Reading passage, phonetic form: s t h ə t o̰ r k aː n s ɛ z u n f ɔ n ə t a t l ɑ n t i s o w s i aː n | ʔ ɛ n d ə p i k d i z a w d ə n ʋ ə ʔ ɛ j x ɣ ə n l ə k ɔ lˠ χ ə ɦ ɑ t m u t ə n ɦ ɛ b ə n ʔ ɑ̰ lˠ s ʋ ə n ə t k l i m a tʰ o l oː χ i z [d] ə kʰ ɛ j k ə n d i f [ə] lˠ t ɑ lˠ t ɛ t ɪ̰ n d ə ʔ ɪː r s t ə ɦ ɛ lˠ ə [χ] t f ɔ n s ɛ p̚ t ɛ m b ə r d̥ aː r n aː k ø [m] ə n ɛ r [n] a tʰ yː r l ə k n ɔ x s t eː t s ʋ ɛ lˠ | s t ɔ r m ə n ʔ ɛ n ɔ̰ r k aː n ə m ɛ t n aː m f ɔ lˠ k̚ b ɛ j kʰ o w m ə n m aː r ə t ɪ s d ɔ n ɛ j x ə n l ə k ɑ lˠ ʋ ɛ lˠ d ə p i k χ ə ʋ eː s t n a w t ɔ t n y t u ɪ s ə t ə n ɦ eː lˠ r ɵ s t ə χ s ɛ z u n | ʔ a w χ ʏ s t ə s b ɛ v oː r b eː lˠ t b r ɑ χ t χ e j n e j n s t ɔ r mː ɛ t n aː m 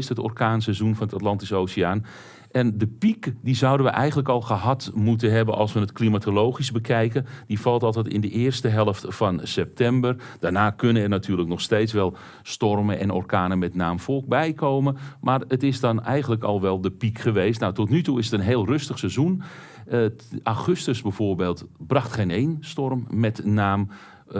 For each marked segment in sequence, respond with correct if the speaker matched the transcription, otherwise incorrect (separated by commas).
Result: incorrect, incorrect, incorrect, incorrect, correct